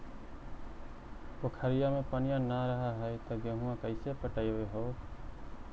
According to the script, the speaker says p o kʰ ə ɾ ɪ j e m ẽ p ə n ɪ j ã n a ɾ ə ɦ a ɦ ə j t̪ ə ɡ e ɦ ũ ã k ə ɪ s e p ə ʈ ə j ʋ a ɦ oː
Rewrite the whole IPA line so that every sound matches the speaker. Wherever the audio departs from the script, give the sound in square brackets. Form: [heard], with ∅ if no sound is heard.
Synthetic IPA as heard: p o kʰ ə ɾ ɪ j [a] m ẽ p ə n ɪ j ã n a ɾ ə ɦ a ɦ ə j t̪ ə ɡ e ɦ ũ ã k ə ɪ s e p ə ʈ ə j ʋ [e] ɦ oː